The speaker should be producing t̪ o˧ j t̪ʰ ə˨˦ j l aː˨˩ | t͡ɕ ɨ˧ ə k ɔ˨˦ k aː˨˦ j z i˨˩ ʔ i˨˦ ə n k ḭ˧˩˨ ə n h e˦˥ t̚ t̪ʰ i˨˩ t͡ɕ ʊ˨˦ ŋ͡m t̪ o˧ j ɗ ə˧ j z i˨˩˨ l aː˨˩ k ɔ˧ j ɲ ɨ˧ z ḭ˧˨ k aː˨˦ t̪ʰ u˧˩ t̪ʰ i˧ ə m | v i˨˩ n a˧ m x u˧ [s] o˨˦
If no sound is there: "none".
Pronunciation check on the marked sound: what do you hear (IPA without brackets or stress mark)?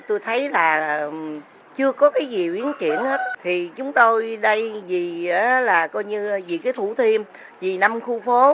f